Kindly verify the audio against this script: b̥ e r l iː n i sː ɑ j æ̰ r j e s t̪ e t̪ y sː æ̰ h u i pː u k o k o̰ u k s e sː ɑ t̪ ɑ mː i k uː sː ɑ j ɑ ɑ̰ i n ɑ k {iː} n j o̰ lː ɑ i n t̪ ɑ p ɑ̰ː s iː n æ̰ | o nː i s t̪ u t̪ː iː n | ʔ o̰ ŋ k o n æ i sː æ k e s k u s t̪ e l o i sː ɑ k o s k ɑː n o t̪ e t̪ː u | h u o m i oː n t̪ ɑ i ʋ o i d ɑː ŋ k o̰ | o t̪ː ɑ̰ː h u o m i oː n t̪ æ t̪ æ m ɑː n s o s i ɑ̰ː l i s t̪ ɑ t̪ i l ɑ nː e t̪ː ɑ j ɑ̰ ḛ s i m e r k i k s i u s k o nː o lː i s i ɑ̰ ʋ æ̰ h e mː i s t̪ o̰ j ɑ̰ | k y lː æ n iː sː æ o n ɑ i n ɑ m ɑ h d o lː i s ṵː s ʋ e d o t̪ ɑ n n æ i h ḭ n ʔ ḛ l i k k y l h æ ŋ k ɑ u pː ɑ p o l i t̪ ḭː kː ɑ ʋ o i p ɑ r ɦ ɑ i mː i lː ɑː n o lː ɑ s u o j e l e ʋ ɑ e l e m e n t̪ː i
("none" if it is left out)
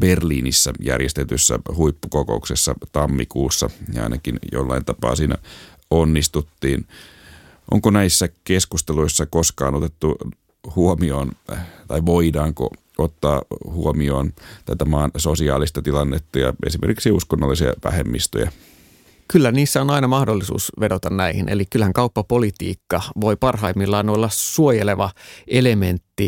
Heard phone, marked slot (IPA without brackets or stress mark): i